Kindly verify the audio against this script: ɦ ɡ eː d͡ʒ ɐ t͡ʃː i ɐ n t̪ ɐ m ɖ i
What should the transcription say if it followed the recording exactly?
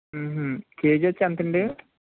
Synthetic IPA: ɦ k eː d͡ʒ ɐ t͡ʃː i ɐ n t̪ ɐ ɳ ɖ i